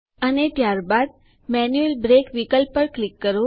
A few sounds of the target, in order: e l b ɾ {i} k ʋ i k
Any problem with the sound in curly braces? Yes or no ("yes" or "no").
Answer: yes